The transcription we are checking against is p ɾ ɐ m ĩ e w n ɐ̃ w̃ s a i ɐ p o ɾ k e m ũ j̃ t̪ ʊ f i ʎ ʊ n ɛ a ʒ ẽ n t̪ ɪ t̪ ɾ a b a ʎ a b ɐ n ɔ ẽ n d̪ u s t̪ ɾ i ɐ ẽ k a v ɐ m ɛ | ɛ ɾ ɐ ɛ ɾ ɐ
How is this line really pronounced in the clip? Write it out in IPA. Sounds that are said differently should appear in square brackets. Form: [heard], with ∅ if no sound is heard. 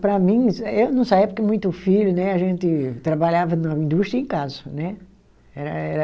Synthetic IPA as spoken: p ɾ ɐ m ĩ e w n ɐ̃ w̃ s a i ɐ p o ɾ k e m ũ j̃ t̪ ʊ f i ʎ ʊ n ɛ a ʒ ẽ n t̪ ɪ t̪ ɾ a b a ʎ a [v] ɐ n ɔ [ĩ] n d̪ u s t̪ ɾ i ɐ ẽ k a [z] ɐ [n] ɛ | ɛ ɾ ɐ ɛ ɾ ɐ